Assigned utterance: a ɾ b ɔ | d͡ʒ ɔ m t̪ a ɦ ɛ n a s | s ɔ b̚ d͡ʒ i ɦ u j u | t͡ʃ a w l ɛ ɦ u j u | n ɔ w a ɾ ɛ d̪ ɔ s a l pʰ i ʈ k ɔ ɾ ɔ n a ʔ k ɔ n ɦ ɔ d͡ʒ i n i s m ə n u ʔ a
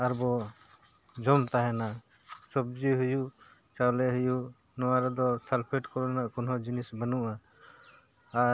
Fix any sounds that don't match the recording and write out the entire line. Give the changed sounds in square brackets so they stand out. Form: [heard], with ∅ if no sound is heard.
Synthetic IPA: a ɾ b ɔ | d͡ʒ ɔ m t̪ a ɦ ɛ n a [∅] | s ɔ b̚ d͡ʒ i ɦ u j u | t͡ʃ a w l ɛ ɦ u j u | n ɔ w a ɾ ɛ d̪ ɔ s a l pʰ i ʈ k ɔ ɾ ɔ n a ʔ k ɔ n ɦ ɔ d͡ʒ i n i s [b] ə n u ʔ a